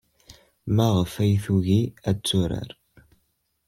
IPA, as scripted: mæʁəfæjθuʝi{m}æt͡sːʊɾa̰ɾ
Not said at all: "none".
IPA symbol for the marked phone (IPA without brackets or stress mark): none